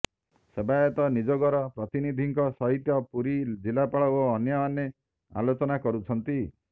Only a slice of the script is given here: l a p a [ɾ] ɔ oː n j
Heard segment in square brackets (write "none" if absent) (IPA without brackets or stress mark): ɭ